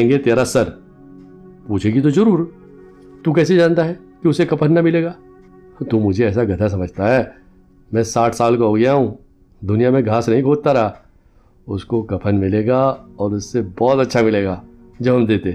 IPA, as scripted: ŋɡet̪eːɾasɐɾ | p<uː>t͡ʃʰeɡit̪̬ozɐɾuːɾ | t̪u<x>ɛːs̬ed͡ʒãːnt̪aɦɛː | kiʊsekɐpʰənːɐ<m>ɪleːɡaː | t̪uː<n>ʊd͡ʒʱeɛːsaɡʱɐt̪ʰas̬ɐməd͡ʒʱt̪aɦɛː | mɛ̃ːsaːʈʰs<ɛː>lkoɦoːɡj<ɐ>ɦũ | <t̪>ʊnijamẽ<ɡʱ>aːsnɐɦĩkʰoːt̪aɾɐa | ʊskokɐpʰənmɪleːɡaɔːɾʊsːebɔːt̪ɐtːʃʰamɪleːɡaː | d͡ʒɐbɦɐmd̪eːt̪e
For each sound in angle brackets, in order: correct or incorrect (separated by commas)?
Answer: correct, incorrect, correct, incorrect, incorrect, incorrect, incorrect, correct